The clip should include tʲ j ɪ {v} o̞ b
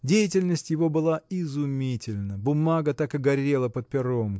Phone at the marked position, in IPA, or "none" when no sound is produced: v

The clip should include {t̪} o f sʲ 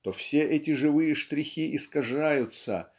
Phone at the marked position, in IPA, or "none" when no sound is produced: t̪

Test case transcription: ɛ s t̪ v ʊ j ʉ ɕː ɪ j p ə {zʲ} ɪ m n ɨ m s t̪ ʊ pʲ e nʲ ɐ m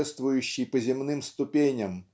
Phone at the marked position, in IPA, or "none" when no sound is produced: zʲ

